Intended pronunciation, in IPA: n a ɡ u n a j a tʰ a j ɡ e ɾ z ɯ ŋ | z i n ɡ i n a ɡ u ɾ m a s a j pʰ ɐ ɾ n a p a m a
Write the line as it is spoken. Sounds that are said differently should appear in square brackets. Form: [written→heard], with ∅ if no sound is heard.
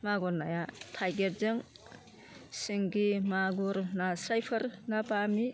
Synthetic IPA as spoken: [n→m] a ɡ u n a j a tʰ a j ɡ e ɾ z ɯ ŋ | [z→s] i [n→ŋ] ɡ i [n→m] a ɡ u ɾ [m→n] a s a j pʰ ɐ ɾ n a p a m [a→i]